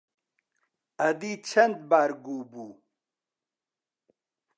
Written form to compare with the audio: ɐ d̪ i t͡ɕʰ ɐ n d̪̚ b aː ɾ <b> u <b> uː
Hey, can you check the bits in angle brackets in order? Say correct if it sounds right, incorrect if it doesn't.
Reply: incorrect: ɡ, correct

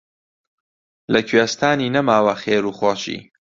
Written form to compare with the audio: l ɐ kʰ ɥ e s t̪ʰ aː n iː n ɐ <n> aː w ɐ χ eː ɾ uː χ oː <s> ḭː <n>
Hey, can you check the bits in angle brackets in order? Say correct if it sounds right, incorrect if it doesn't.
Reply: incorrect: m, incorrect: ʃ, incorrect: none

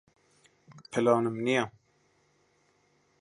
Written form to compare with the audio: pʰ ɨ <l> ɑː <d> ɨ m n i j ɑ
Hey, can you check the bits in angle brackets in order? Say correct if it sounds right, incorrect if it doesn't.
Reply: correct, incorrect: n

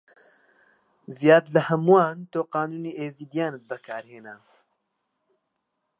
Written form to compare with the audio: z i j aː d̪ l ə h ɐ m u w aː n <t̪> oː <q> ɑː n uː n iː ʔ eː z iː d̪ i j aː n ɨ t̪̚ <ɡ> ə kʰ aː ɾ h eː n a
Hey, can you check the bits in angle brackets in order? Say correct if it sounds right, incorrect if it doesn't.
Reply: correct, correct, incorrect: b

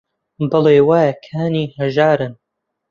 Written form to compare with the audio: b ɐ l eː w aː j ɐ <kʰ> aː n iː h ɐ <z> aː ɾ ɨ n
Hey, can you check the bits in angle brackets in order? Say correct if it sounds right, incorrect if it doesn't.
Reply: correct, incorrect: ʒ

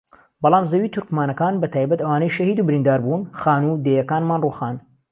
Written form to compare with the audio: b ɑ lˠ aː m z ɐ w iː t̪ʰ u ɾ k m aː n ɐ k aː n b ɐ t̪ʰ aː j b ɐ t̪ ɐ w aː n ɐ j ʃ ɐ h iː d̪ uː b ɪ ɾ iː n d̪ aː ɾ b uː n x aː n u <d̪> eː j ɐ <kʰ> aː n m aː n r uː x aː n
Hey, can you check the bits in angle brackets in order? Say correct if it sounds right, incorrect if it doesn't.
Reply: correct, incorrect: k

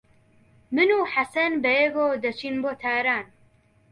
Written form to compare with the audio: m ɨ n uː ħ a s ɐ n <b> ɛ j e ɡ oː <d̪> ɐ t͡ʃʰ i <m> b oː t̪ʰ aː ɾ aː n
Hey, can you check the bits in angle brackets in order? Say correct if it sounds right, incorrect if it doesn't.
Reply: correct, correct, incorrect: n

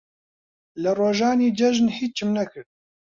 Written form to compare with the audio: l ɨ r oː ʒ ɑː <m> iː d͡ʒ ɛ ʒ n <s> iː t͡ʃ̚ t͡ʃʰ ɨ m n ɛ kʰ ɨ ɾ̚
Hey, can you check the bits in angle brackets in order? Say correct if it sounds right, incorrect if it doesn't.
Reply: incorrect: n, incorrect: h

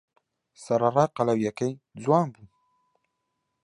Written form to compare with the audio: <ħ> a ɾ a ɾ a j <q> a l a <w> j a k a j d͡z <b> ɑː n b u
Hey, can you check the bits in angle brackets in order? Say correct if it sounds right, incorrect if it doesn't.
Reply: incorrect: s, correct, correct, incorrect: w

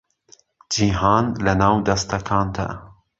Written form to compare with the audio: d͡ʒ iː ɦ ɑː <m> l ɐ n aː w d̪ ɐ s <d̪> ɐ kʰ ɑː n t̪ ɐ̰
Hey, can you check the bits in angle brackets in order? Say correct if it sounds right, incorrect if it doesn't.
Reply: incorrect: n, incorrect: t̪

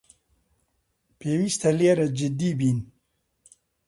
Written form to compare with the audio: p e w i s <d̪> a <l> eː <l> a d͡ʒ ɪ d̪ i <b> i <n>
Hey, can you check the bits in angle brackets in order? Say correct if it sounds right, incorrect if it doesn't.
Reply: incorrect: t̪, correct, incorrect: ɾ, correct, correct

